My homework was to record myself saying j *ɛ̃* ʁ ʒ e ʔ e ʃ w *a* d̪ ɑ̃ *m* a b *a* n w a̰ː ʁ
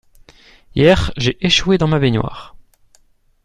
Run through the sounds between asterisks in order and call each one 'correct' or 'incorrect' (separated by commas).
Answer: incorrect, incorrect, correct, incorrect